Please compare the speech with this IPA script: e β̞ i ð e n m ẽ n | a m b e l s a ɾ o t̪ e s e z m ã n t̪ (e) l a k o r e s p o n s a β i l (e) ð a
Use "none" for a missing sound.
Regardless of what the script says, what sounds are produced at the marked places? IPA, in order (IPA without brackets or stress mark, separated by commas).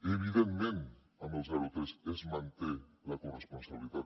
e, i